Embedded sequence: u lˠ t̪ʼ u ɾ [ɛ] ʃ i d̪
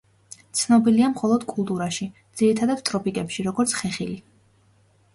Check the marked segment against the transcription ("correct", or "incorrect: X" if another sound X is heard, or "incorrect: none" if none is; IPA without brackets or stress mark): incorrect: a